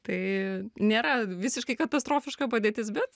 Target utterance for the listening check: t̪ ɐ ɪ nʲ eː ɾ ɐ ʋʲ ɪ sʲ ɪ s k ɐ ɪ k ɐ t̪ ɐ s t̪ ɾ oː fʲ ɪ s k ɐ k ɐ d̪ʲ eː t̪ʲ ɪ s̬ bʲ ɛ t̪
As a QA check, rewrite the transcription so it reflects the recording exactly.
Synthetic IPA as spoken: t̪ ɐ ɪ nʲ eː ɾ ɐ ʋʲ ɪ sʲ ɪ ʃ k ɐ ɪ k ɐ t̪ ɐ s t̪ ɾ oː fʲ ɪ ʃ k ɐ p ɐ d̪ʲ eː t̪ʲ ɪ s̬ bʲ ɛ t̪